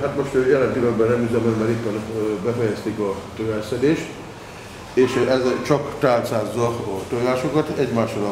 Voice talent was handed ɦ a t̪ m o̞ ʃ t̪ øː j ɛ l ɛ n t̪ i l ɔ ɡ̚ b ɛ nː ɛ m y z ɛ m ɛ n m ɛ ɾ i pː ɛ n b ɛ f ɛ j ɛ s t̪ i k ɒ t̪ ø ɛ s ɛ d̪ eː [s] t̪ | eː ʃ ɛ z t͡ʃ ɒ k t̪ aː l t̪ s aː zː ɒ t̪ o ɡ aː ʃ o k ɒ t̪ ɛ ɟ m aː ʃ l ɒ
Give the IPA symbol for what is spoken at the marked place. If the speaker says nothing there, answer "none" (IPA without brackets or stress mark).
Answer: ʃ